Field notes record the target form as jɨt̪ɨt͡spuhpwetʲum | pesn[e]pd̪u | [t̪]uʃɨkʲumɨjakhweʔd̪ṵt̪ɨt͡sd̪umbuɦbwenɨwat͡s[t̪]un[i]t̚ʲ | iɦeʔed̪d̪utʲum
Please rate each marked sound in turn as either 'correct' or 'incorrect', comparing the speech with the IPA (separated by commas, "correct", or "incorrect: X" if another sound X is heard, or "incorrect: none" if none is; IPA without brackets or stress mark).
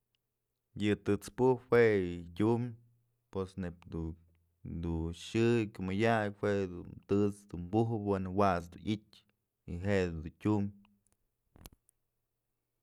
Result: correct, incorrect: d̪, incorrect: d̪, correct